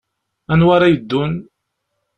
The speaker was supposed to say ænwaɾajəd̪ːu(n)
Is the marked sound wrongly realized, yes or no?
no